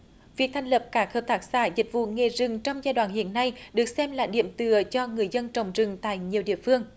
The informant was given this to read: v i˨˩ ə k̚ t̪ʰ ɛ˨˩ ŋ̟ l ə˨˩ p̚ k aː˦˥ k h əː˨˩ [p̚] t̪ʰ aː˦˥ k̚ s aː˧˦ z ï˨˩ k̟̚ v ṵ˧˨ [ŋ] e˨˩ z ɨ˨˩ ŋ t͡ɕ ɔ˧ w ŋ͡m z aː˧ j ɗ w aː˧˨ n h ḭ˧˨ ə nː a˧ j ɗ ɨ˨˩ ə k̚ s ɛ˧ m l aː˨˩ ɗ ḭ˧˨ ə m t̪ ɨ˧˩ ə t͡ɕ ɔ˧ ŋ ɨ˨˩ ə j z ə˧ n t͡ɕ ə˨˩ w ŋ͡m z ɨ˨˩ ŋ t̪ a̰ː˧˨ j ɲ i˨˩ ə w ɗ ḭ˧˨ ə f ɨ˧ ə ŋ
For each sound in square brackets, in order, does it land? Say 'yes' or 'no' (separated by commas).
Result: yes, yes